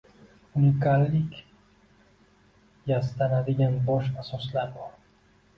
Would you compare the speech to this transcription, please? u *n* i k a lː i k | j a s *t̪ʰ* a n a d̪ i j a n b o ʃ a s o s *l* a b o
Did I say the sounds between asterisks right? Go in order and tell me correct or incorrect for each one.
correct, incorrect: t̪, correct

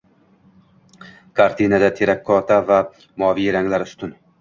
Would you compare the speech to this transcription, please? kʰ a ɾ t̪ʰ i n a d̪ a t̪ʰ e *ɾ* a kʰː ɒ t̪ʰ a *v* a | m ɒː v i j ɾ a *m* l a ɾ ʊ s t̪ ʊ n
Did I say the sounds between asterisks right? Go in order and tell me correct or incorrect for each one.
correct, correct, incorrect: ŋ

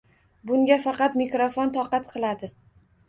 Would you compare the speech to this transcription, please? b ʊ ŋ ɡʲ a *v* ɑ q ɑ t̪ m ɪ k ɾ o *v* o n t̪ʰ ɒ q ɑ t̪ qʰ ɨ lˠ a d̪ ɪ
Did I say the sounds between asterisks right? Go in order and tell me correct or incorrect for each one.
incorrect: f, incorrect: f

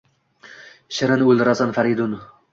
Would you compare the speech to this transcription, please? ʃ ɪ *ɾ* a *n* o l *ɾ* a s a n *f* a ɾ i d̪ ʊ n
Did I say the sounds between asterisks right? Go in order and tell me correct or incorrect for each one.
correct, correct, correct, correct

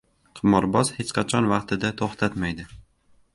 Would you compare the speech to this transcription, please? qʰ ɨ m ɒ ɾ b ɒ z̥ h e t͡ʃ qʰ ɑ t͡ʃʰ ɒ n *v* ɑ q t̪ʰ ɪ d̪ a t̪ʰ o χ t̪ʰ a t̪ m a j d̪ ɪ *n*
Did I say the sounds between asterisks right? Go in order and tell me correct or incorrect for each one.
correct, incorrect: none

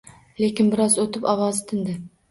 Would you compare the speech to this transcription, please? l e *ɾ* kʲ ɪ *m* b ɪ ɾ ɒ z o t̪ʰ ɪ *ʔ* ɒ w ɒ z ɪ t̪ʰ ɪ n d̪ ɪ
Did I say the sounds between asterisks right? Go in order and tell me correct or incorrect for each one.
incorrect: none, incorrect: n, incorrect: p

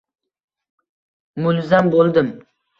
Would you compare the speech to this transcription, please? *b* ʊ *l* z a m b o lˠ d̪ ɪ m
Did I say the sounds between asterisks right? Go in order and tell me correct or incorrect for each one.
incorrect: m, correct

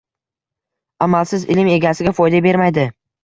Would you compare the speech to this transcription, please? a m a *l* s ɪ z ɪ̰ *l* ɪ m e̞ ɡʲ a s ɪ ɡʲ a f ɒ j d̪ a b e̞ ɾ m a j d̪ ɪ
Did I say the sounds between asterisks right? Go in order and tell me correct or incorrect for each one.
correct, correct

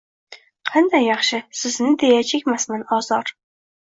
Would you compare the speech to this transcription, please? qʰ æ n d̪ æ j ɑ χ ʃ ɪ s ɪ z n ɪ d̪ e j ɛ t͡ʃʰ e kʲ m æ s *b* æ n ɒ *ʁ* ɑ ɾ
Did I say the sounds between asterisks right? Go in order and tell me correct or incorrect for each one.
incorrect: m, incorrect: z

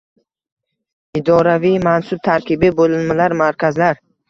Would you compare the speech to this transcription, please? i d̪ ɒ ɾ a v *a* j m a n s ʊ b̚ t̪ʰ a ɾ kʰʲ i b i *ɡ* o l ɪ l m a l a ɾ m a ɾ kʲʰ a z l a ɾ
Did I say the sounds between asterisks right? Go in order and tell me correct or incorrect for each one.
incorrect: i, incorrect: b

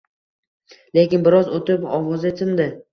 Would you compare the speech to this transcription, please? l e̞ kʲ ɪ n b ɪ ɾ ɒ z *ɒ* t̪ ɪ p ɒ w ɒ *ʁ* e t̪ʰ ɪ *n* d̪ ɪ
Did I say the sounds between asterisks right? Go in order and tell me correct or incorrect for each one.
incorrect: o, incorrect: z, correct

